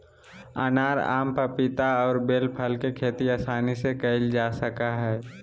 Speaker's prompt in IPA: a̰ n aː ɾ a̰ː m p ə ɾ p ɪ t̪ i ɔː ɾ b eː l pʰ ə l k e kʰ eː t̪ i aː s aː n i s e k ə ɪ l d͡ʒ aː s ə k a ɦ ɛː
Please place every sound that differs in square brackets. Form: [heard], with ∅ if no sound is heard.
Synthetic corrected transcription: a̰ n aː ɾ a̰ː m p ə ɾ p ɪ t̪ [a] ɔː ɾ b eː l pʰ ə l k e kʰ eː t̪ i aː s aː n i s e k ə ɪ l d͡ʒ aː s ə k a ɦ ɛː